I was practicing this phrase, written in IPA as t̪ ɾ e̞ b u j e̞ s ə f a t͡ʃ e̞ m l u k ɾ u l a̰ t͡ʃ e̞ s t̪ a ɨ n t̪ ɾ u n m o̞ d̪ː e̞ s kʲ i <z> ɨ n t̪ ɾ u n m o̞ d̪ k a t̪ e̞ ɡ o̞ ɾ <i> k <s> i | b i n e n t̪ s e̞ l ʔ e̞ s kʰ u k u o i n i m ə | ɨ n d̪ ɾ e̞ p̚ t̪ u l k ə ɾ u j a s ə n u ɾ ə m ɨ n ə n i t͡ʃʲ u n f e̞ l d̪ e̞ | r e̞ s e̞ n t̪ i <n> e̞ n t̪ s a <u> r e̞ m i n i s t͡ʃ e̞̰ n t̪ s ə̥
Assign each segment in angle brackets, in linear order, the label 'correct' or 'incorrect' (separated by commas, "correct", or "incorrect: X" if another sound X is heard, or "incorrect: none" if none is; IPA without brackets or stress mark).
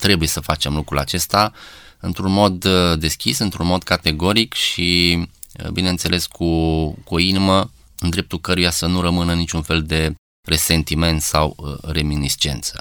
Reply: incorrect: s, correct, incorrect: ʃ, incorrect: m, incorrect: w